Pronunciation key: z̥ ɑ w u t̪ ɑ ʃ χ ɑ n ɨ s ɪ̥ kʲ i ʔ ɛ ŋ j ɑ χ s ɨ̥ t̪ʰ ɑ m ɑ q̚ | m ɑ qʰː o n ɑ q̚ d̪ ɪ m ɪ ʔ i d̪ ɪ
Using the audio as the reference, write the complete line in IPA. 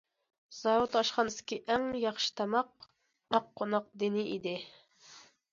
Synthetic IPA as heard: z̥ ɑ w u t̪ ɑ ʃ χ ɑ n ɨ s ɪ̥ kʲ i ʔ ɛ ŋ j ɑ χ ʃ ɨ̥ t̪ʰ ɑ m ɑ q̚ | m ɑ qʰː o n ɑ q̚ d̪ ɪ n ɪ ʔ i d̪ ɪ